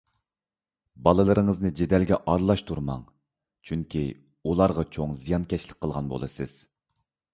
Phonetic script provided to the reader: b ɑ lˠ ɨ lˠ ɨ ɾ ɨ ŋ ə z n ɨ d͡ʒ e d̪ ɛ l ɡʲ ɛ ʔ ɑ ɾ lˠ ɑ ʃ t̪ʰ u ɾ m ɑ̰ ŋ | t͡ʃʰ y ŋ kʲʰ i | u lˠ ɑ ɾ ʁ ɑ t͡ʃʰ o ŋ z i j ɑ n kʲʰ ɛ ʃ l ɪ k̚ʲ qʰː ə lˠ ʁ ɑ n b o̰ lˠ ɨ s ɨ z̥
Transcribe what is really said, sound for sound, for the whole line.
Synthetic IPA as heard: b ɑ lˠ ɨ lˠ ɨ ɾ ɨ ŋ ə z n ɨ d͡ʒ e d̪ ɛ l ɡʲ ɛ ʔ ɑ ɾ lˠ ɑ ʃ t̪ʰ u ɾ m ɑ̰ ŋ | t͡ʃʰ y ŋ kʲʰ i | u lˠ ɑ ɾ ʁ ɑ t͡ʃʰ o ŋ z i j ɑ n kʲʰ ɛ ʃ l ɪ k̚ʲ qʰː ə lˠ ʁ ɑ n b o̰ lˠ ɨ s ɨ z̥